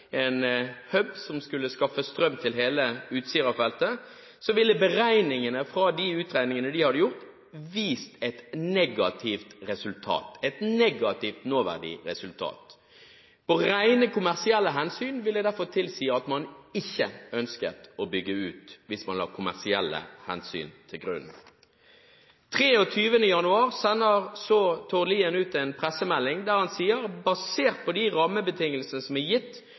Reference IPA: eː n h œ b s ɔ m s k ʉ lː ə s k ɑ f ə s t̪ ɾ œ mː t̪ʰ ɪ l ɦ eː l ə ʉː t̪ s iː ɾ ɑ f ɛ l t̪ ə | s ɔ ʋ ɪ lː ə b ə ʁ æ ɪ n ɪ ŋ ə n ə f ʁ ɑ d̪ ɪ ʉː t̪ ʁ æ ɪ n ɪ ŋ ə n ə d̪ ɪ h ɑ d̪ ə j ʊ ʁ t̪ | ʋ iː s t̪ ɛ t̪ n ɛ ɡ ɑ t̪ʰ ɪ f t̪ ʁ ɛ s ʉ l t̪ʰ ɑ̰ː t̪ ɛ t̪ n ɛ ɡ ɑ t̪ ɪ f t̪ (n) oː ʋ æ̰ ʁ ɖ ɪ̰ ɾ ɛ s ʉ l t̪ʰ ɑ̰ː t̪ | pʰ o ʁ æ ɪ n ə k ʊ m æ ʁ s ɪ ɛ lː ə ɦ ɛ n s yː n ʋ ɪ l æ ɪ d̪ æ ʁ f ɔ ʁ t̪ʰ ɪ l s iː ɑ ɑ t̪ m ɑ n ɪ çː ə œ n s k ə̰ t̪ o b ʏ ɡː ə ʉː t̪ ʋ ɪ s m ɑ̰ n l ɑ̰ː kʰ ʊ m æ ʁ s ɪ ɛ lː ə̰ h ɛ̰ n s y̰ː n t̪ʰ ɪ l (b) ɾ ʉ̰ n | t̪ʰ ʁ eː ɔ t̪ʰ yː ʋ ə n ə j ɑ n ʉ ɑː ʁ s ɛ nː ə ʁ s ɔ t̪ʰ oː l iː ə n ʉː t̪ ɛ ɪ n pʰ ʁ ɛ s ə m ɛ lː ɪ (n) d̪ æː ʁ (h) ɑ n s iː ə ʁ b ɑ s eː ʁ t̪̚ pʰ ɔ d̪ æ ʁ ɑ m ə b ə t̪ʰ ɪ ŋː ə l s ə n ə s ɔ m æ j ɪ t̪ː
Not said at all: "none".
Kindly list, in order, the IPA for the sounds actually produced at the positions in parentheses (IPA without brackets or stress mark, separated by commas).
n, ɡ, ŋ, h